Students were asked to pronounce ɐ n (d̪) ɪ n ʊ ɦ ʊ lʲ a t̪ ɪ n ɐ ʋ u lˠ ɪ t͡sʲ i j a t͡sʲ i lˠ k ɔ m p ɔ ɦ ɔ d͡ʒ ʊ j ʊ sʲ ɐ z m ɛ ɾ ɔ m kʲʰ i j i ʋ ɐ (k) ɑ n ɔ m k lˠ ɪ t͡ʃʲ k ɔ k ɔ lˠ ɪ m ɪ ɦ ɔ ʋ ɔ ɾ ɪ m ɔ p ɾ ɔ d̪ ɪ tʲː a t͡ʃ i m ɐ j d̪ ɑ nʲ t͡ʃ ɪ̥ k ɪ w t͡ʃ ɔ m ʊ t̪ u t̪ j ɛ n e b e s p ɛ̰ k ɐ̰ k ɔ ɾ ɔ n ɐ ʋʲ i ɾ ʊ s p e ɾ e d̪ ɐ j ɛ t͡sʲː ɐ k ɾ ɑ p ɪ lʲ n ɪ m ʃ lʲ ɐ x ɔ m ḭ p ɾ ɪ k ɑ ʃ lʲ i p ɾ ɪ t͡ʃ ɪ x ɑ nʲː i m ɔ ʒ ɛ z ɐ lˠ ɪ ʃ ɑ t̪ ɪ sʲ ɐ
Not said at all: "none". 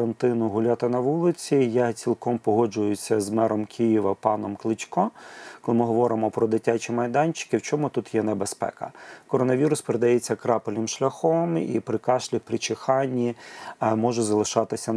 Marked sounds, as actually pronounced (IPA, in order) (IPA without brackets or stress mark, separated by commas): t̪, p